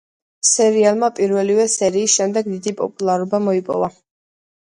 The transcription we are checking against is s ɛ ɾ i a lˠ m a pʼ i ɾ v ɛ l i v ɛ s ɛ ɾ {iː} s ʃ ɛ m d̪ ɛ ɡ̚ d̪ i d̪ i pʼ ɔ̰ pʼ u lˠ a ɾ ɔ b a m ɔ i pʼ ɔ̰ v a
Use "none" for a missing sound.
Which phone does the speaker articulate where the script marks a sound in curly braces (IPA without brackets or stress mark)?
iː